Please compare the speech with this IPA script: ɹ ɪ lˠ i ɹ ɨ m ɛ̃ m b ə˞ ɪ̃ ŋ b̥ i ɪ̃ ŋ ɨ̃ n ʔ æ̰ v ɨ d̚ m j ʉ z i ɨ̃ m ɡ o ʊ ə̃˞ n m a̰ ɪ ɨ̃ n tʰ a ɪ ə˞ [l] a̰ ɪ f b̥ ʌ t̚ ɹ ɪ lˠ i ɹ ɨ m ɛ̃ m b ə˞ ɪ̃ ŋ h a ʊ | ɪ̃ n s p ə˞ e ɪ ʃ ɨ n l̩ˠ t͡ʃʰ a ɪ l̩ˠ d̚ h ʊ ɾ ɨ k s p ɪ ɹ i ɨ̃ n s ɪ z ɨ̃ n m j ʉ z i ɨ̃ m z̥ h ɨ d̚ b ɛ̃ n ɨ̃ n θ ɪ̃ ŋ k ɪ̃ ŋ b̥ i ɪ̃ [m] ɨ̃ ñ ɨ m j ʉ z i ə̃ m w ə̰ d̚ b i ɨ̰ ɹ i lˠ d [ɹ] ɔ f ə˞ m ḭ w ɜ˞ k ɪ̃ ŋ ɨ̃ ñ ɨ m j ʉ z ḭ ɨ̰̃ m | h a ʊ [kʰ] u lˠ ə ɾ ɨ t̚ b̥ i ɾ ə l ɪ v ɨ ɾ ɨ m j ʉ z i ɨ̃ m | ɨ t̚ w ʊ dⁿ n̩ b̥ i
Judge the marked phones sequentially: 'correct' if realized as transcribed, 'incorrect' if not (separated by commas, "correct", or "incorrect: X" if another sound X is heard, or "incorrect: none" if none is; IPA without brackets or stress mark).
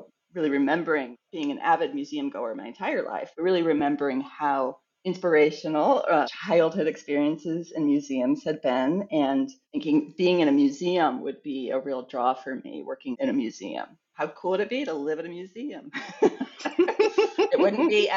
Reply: correct, incorrect: ŋ, correct, correct